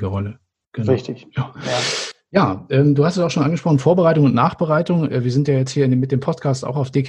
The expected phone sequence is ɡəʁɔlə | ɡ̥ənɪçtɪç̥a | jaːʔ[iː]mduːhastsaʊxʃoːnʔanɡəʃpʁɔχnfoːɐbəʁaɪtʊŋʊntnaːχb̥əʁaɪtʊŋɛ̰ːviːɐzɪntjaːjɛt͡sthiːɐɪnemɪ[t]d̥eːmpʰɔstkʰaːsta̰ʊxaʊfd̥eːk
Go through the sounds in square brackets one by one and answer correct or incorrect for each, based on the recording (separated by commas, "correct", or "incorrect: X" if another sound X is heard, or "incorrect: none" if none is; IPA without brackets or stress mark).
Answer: incorrect: ɛː, correct